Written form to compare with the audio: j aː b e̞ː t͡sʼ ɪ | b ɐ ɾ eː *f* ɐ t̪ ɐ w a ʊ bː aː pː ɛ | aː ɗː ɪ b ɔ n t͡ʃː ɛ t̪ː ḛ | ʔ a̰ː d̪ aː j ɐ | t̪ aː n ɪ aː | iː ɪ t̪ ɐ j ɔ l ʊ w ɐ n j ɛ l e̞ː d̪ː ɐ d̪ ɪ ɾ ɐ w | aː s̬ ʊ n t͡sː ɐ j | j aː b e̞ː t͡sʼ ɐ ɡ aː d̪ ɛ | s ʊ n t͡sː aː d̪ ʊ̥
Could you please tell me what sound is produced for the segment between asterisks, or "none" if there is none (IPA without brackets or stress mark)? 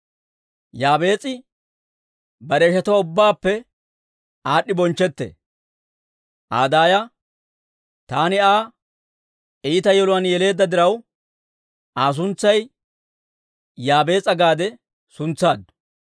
ʃ